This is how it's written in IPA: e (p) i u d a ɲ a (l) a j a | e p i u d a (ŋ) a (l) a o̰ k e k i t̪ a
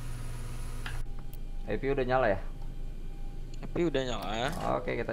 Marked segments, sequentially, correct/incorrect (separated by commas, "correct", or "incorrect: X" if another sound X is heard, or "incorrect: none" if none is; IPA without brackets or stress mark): correct, correct, incorrect: ɲ, correct